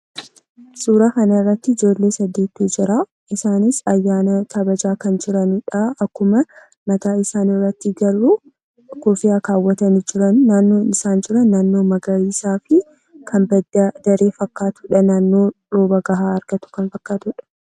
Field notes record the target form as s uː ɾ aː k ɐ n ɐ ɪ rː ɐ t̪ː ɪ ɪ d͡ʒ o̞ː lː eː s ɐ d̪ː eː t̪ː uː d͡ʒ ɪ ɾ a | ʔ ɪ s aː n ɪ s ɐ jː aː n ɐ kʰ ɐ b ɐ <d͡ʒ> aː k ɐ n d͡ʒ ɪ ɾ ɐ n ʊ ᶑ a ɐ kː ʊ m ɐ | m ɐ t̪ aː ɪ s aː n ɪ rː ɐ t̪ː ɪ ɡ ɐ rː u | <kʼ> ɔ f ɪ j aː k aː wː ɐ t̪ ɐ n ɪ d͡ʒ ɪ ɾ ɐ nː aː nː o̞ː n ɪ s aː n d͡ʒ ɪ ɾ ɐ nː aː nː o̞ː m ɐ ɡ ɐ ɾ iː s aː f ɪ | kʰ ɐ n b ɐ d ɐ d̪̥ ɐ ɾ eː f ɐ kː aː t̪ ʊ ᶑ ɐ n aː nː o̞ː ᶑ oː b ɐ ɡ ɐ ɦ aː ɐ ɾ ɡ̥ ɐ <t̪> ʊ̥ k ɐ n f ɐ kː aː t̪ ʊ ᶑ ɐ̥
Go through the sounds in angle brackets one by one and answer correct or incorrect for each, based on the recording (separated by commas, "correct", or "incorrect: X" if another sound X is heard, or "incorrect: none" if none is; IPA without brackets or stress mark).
correct, incorrect: k, correct